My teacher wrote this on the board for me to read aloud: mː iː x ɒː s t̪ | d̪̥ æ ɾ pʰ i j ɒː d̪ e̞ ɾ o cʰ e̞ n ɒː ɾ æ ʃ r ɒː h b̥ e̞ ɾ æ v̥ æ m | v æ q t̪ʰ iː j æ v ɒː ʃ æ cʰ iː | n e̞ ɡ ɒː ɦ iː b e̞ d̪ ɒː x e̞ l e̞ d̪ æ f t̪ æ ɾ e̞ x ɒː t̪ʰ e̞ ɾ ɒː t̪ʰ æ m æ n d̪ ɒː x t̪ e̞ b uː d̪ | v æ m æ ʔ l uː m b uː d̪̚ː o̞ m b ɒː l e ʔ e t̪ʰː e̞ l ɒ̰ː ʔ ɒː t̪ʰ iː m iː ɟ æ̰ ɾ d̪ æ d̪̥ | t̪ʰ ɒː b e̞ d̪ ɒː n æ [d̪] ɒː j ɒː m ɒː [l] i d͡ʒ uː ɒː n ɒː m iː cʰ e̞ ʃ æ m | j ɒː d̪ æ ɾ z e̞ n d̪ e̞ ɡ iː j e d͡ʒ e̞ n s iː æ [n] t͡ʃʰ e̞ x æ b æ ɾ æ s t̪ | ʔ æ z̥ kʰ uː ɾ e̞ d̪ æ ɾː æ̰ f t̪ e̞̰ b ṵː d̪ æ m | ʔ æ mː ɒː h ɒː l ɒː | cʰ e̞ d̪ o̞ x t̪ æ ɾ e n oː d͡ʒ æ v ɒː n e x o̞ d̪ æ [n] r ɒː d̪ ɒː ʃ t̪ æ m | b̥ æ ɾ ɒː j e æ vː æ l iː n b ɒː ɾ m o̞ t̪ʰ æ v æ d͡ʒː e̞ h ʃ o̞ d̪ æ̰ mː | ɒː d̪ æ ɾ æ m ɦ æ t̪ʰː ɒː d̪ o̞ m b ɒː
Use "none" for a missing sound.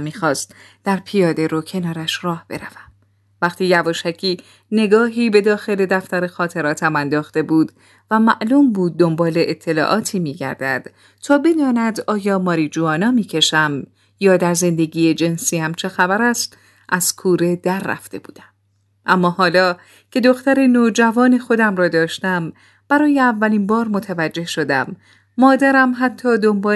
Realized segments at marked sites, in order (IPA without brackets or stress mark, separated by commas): d̪, ɾ, m, m